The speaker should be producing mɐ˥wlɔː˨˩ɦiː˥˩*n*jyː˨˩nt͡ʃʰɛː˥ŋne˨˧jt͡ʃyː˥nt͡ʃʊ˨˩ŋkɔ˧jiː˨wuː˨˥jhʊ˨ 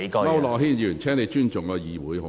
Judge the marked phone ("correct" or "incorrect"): correct